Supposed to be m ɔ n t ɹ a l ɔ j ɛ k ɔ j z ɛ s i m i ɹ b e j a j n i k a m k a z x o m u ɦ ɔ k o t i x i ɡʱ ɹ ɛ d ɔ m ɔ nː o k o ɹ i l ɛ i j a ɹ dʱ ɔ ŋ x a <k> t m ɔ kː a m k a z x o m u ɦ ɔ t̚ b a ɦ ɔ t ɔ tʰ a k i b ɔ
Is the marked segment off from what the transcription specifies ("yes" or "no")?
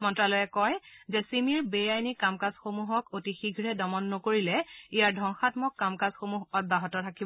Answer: yes